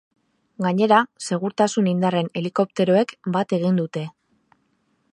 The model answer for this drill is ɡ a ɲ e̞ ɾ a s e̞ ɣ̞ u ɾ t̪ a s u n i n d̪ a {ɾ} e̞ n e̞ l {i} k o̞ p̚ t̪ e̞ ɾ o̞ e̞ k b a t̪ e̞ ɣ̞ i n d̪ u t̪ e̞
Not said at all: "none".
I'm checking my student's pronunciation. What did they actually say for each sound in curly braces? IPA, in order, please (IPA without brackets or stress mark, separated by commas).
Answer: r, i